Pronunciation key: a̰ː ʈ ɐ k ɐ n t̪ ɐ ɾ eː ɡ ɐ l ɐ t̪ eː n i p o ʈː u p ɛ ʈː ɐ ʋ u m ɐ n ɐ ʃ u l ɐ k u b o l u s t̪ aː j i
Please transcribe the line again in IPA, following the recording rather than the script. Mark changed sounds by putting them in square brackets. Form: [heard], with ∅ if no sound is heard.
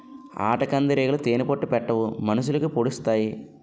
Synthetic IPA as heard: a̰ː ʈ ɐ k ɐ n [d̪] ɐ ɾ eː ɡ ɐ l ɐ t̪ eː n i p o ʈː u p ɛ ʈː ɐ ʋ u m ɐ n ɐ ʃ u l ɐ k u [p] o [ɽ] u s t̪ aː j i